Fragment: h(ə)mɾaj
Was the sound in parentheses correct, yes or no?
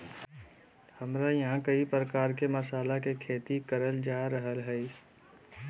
yes